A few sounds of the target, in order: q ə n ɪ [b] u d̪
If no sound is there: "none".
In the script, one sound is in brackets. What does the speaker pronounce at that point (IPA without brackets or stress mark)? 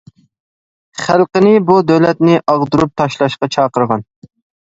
b